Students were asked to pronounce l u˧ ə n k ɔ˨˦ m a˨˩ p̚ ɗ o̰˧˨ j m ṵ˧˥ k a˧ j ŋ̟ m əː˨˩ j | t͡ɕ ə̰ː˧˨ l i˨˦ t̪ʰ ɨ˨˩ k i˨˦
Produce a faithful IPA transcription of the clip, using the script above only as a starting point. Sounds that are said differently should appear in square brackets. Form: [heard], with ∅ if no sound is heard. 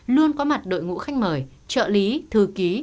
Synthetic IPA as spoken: l u˧ ə n k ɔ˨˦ m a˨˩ [t̚] ɗ o̰˧˨ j [ŋ] ṵ˧˥ [x] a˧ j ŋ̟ m əː˨˩ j | t͡ɕ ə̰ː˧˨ l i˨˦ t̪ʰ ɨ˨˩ k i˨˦